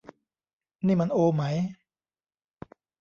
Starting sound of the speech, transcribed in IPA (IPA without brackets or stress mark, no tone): n